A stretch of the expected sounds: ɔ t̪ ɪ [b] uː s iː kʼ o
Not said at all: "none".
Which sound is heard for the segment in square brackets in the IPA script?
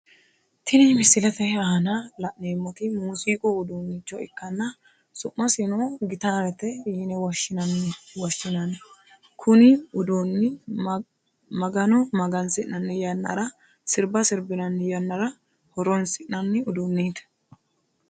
m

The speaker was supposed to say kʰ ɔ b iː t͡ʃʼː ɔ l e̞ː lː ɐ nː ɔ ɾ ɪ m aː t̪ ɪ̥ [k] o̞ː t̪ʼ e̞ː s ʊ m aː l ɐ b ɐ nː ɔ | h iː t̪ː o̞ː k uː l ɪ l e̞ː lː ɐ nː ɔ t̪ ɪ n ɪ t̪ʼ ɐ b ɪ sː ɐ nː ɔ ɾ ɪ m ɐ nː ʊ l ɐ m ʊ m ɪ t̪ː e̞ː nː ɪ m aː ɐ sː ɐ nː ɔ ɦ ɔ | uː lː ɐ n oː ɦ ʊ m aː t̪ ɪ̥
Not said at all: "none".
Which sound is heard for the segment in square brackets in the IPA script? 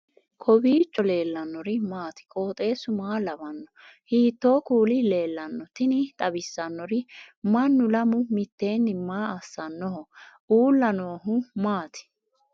kʼ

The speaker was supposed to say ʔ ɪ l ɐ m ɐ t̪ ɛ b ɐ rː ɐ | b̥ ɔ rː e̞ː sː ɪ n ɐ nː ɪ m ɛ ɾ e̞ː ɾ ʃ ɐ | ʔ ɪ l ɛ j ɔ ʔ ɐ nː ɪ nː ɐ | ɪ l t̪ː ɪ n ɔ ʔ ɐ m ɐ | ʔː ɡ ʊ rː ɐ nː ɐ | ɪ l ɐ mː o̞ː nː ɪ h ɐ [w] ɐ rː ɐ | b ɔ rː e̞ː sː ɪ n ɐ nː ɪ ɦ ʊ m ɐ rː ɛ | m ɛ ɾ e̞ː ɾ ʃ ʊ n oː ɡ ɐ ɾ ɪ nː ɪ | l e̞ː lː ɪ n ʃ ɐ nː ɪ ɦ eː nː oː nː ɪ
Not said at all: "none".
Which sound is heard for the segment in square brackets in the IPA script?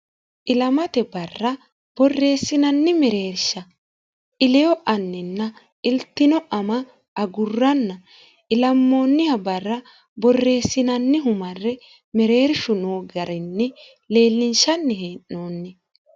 b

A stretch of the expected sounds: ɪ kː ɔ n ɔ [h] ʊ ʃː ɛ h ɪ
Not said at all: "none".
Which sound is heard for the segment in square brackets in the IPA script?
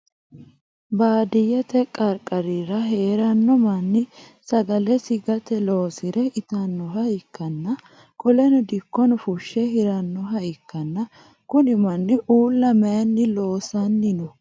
f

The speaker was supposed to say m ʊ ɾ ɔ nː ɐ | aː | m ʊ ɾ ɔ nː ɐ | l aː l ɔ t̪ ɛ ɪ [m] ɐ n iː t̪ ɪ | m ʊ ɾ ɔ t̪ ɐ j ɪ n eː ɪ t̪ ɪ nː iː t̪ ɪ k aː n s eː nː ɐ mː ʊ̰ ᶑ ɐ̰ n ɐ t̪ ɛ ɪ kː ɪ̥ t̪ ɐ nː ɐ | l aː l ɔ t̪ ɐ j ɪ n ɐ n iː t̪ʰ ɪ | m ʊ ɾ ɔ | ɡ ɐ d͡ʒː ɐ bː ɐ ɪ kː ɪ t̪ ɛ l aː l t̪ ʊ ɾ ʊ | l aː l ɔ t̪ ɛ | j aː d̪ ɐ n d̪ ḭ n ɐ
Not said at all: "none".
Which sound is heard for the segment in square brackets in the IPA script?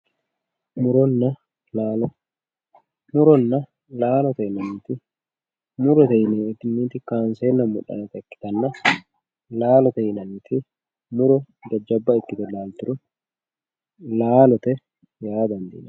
n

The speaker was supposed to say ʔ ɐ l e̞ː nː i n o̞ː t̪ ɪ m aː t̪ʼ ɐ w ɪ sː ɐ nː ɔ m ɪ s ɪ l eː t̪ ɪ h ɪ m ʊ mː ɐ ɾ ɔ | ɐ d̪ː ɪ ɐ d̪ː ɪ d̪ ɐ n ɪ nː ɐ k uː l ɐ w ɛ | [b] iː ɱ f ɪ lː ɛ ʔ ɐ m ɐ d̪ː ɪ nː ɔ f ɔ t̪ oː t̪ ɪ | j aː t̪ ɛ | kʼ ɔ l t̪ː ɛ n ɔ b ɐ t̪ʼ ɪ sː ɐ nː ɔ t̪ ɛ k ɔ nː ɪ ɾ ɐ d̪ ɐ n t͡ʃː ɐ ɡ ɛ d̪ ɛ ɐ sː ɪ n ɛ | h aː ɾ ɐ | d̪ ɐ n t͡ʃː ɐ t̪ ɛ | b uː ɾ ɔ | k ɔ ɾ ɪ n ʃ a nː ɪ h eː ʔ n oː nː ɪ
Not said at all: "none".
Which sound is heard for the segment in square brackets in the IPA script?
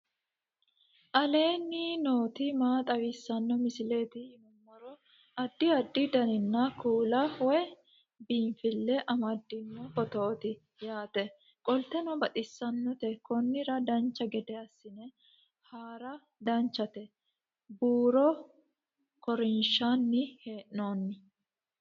b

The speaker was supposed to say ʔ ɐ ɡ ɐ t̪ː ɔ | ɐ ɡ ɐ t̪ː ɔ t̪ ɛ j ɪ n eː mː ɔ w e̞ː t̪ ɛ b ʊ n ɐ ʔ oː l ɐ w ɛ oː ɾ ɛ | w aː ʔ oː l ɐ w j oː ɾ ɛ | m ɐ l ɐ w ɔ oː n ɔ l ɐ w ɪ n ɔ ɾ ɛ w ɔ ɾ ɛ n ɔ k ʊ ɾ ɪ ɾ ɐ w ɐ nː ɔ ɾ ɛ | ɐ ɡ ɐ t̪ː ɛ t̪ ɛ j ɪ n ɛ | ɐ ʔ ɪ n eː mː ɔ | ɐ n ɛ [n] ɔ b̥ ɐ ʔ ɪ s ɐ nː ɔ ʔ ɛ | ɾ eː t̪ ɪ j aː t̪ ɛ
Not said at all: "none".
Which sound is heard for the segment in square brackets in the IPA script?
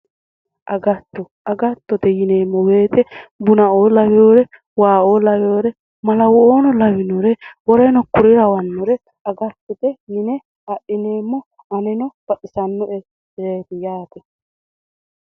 n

